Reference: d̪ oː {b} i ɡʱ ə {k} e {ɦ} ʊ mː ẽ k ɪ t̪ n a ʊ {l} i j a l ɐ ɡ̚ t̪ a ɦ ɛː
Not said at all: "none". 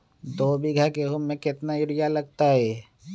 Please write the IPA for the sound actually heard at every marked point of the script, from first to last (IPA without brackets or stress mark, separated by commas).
b, k, ɦ, ɾ